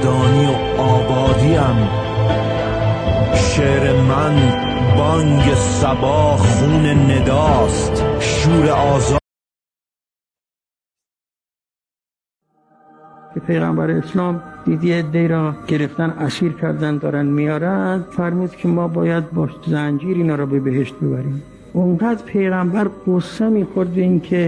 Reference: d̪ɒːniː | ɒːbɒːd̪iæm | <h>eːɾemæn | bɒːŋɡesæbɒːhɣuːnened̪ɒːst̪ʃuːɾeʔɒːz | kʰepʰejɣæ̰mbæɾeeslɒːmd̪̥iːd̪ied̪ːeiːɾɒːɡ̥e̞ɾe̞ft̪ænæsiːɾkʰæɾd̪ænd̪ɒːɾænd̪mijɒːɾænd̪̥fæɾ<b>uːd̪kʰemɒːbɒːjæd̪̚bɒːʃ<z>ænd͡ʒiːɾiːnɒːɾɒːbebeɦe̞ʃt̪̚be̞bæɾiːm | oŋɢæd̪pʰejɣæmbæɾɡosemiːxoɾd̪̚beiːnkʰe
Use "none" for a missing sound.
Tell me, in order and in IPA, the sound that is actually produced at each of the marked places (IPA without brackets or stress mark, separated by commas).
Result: ʃ, m, z